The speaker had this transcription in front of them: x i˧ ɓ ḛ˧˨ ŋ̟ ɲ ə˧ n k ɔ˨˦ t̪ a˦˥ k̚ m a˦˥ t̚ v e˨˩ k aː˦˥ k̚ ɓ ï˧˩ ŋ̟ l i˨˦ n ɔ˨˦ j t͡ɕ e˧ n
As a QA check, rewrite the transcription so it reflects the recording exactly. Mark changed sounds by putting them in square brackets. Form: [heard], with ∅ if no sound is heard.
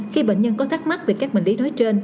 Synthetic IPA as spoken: x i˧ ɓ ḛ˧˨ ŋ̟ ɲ ə˧ n k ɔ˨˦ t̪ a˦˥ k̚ m a˦˥ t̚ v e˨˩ k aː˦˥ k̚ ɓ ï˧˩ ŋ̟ l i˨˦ n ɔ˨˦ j t͡ɕ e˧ n

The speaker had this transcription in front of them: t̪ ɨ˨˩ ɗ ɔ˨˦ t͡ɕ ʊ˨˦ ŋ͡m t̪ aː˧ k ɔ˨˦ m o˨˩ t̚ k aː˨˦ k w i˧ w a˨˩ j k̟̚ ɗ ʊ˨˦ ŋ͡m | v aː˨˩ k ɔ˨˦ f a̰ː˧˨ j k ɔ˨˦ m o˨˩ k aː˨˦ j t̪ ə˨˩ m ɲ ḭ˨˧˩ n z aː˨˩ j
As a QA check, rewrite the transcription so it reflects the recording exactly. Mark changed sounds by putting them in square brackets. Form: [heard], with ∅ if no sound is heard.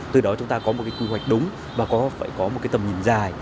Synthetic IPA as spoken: t̪ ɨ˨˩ ɗ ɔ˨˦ t͡ɕ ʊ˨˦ ŋ͡m t̪ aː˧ k ɔ˨˦ m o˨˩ t̚ k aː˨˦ k w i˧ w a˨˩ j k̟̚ ɗ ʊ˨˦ ŋ͡m | v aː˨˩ k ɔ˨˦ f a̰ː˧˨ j k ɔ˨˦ m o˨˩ k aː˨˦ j t̪ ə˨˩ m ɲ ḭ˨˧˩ n z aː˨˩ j

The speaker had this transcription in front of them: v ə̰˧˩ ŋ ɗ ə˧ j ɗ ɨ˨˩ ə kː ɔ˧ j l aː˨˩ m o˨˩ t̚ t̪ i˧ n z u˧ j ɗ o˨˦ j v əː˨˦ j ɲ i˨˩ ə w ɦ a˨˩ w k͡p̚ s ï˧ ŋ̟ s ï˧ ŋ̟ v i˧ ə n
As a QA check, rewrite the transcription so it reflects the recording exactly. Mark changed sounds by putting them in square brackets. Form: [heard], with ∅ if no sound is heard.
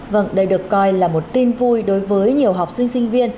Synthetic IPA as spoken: v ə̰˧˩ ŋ ɗ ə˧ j ɗ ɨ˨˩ ə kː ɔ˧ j l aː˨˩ m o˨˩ t̚ t̪ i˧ n [v] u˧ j ɗ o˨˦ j v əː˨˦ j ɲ i˨˩ ə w ɦ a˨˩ w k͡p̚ s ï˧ ŋ̟ s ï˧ ŋ̟ v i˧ ə n

